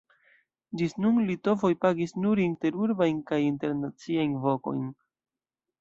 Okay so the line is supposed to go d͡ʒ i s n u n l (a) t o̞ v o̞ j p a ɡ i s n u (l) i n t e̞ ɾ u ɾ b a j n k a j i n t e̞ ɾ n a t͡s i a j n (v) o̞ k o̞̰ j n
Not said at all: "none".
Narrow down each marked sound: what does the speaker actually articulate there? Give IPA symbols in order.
i, ɾ, v

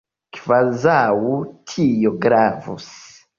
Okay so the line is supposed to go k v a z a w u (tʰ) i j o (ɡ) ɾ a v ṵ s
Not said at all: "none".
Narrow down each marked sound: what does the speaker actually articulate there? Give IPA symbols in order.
tʰ, ɡ

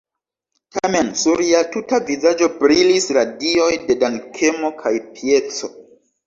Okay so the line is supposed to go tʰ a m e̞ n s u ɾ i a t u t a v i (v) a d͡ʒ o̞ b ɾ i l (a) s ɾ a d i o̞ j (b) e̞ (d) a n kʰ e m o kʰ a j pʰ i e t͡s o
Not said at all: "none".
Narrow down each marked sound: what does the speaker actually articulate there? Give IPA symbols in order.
z, i, d, d

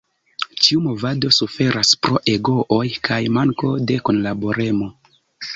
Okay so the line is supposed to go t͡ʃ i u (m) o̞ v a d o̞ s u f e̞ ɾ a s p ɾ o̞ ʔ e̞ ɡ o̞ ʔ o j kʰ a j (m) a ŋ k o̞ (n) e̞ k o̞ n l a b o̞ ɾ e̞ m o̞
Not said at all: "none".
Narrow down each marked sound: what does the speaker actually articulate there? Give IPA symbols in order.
m, m, d

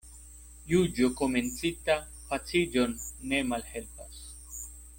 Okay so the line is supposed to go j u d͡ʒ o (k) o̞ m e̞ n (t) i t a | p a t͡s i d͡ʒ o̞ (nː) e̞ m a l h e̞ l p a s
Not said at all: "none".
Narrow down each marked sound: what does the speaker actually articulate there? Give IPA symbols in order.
k, t͡s, nː

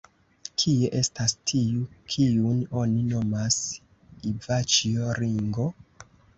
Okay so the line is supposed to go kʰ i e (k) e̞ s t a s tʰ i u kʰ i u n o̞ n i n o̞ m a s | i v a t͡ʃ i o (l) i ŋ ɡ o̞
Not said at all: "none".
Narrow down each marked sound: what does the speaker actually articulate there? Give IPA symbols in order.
ʔ, ɾ

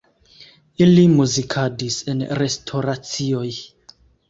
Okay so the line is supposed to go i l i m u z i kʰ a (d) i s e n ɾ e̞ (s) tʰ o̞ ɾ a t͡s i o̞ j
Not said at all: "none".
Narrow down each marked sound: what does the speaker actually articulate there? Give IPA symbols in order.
d, s

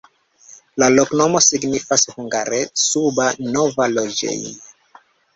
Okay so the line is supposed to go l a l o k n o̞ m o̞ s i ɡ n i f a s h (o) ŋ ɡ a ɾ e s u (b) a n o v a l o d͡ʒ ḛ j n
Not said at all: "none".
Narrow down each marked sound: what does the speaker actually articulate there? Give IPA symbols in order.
u, b

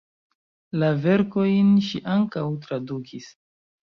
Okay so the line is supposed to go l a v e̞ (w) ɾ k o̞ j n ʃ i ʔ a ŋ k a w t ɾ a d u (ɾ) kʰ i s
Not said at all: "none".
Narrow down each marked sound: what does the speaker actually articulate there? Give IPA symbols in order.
none, none

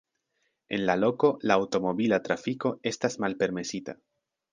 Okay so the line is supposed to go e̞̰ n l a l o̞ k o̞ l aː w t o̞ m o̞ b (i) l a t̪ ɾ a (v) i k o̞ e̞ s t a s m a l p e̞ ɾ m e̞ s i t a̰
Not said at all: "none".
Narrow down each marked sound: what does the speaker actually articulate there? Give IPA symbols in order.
i, f

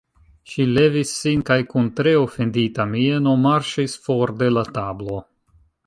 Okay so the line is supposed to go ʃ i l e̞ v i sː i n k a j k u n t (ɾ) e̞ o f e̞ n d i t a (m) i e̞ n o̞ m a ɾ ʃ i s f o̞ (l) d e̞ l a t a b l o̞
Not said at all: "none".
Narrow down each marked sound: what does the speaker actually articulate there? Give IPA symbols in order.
ɾ, m, ɾ

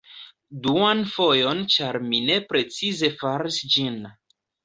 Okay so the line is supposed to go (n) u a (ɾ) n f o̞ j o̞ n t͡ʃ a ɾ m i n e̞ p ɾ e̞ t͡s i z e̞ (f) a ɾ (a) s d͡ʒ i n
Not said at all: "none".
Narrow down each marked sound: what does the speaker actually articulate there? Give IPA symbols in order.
d, none, f, i

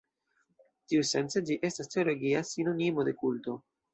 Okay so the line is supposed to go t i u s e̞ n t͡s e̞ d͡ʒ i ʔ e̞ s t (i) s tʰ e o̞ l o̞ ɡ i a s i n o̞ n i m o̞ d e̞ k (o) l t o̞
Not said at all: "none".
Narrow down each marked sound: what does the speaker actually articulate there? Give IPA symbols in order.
a, u

